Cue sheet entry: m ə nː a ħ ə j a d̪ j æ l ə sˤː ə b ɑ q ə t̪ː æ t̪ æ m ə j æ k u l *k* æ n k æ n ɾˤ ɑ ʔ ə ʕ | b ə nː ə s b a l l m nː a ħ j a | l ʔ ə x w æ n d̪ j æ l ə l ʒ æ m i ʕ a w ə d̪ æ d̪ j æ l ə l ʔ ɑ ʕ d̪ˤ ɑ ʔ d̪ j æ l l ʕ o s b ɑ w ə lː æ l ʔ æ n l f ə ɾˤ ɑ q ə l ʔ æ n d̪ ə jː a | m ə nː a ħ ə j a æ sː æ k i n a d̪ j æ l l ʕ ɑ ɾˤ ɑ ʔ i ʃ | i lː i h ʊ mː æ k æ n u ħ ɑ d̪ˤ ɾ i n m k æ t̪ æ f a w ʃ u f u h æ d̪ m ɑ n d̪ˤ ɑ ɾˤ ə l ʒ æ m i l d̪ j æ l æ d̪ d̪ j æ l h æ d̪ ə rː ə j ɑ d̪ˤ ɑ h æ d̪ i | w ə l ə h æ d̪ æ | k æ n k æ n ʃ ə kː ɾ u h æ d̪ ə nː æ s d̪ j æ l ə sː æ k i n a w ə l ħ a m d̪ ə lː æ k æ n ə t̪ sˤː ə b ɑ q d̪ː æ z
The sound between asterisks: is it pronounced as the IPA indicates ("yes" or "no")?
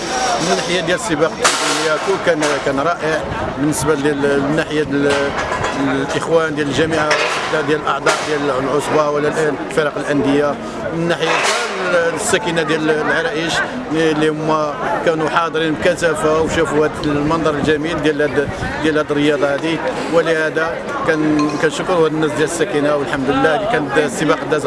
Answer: yes